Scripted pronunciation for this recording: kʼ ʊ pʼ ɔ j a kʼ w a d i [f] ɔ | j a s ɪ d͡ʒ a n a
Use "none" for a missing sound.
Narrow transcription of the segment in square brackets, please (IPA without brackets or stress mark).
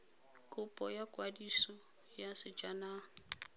s